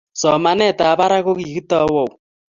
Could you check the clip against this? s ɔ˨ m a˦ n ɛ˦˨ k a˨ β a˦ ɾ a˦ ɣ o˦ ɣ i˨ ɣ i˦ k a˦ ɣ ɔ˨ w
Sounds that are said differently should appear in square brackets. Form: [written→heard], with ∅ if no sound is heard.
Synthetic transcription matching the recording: s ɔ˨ m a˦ n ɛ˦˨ [k→t] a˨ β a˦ ɾ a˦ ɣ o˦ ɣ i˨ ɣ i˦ [k→t] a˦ [ɣ→w] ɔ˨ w